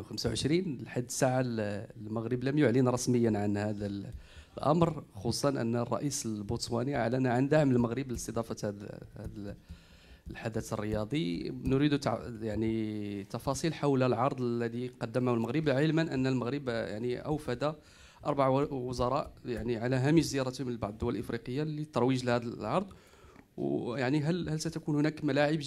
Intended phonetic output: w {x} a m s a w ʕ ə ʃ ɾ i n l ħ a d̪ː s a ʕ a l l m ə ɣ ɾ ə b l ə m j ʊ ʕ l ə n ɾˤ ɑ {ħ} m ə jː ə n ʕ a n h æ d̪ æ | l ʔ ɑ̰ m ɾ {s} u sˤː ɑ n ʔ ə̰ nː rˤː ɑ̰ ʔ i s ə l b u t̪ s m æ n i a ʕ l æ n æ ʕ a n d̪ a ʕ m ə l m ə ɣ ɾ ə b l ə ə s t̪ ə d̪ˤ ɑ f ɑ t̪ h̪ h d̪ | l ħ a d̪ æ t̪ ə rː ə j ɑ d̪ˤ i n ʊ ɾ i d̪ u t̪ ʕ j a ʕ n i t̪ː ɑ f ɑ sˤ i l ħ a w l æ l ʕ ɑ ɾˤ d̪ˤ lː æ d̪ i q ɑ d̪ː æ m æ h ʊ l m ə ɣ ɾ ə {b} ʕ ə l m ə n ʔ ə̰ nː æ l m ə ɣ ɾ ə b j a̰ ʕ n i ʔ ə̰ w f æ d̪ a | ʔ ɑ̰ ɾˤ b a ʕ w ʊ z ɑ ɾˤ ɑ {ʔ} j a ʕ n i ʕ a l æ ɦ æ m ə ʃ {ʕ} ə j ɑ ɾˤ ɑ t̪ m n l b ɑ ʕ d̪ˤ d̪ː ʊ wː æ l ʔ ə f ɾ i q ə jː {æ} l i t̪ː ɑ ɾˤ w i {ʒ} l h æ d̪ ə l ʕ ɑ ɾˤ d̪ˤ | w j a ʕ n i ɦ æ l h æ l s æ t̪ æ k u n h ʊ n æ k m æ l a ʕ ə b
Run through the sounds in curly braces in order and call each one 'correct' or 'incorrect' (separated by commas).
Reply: correct, incorrect, incorrect, correct, correct, incorrect, incorrect, correct